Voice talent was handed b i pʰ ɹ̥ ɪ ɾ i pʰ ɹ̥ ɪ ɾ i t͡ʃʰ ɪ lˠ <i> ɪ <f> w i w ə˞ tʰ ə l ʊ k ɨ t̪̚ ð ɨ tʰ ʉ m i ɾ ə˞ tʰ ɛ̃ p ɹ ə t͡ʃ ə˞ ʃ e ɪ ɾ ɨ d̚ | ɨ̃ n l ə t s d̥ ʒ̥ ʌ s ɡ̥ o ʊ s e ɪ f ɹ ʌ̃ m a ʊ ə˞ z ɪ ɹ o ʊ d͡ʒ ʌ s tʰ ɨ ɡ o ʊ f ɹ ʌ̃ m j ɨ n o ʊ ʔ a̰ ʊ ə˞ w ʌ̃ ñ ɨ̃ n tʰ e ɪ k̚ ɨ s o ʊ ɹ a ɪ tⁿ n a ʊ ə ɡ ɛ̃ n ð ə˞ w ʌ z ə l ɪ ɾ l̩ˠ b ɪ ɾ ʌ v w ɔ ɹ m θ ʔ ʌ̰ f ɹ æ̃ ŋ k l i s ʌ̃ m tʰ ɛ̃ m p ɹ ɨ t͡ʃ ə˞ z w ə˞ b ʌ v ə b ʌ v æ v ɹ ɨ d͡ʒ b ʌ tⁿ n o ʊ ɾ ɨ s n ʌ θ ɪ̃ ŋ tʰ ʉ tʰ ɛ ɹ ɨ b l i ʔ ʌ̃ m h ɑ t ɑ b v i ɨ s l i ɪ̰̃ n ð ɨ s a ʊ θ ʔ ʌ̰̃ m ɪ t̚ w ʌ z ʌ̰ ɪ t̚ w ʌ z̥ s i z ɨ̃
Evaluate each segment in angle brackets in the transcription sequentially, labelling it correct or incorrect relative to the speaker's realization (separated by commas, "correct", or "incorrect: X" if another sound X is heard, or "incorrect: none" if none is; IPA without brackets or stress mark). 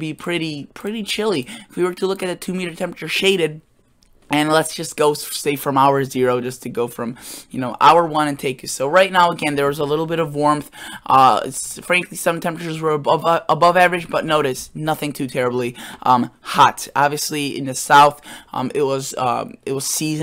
correct, correct